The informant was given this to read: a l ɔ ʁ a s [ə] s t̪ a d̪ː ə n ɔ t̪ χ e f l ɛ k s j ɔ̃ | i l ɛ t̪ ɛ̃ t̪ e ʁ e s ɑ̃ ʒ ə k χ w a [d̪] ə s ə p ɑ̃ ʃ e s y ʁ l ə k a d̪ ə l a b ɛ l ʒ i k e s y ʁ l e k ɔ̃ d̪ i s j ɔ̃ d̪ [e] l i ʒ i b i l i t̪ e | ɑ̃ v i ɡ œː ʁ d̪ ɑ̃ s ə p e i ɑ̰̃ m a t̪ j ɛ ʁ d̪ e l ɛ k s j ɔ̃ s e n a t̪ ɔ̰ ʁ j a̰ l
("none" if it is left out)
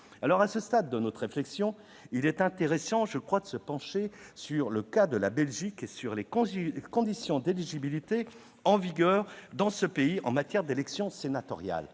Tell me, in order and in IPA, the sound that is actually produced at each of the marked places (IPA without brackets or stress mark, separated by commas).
ə, d̪, e